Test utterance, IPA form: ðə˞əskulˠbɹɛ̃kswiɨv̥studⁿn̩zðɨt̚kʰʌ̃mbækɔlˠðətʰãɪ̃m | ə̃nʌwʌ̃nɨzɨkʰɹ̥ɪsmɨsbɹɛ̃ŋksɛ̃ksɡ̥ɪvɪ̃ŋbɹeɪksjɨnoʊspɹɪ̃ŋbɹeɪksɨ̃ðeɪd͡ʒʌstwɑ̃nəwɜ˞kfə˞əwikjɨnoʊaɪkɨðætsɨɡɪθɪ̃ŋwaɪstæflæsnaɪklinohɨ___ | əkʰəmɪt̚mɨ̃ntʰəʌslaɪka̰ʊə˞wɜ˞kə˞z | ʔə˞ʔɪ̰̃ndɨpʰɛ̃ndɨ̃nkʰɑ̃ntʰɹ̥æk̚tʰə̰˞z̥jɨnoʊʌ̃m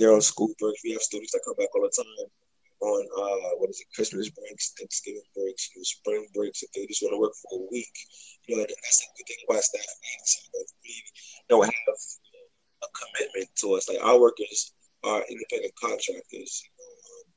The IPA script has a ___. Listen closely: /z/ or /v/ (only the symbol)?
v